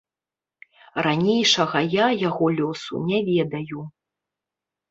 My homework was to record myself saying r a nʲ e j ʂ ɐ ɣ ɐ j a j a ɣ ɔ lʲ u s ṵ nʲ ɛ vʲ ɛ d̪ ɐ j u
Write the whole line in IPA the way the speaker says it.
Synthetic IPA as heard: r a nʲ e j ʂ ɐ ɣ ɐ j a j a ɣ ɔ lʲ ɔ s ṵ nʲ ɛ vʲ ɛ d̪ ɐ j u